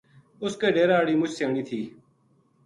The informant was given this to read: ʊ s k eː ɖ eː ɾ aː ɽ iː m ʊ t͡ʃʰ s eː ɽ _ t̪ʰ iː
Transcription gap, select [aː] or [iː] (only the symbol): iː